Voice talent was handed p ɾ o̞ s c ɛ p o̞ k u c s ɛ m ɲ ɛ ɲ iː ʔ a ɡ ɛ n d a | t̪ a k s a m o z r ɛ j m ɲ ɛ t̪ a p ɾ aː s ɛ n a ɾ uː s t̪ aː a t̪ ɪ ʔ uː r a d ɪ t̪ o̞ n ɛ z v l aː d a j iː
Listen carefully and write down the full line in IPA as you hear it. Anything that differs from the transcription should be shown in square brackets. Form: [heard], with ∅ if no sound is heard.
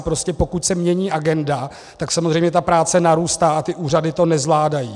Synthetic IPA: p ɾ o̞ s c ɛ p o̞ k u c s ɛ m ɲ ɛ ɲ iː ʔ a ɡ ɛ n d a | t̪ a k s a m o z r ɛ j m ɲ ɛ t̪ a p ɾ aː [t͡s] ɛ n a ɾ uː s t̪ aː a t̪ ɪ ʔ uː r a d ɪ t̪ o̞ n ɛ z v l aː d a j iː